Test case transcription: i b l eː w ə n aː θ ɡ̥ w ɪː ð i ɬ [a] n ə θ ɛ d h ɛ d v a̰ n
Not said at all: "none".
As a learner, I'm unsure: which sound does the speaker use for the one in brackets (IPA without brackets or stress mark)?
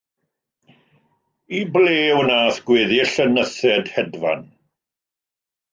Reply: ə